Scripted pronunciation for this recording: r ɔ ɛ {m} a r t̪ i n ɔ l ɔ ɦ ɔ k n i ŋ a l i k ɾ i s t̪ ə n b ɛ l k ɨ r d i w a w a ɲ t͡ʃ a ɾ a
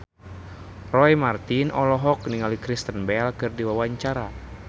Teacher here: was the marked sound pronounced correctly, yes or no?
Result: yes